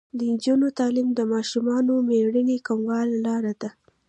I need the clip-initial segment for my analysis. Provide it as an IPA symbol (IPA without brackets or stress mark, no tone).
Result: d̪